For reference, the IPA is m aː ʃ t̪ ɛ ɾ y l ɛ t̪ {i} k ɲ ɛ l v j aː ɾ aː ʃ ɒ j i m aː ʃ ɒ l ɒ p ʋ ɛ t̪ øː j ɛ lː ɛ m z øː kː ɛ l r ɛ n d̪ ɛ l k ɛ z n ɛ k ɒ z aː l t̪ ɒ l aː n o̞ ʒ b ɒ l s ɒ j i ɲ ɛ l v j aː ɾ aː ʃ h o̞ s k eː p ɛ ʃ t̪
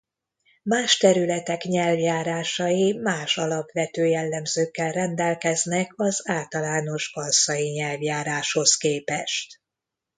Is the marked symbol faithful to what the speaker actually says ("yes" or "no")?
no